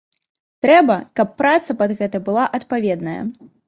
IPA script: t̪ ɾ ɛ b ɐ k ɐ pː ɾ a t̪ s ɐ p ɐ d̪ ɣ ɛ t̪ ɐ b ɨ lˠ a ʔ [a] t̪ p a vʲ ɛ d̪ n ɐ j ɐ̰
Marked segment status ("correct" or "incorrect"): incorrect